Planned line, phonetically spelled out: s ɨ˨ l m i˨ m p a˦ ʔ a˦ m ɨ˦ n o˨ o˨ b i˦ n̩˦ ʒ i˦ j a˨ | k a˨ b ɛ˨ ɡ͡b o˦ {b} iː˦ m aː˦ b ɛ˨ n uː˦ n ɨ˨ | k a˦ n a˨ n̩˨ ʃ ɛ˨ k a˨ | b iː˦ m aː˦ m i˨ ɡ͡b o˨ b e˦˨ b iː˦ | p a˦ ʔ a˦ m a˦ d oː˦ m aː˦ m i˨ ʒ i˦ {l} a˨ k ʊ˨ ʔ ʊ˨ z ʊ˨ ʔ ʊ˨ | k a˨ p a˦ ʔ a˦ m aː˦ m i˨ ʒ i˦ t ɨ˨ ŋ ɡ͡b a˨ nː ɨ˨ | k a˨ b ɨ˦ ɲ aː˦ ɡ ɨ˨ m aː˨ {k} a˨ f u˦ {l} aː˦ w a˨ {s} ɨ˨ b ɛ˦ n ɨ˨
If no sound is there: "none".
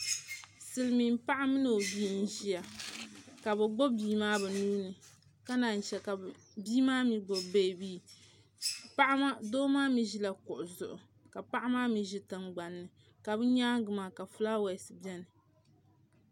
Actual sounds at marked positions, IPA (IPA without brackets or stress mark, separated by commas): b, l, k, l, s